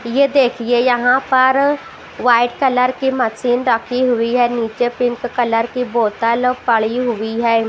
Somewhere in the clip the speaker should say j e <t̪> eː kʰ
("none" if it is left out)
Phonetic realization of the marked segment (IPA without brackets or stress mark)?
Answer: d̪